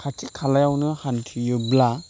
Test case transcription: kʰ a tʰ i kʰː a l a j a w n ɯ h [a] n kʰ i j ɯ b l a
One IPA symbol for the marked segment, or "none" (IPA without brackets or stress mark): a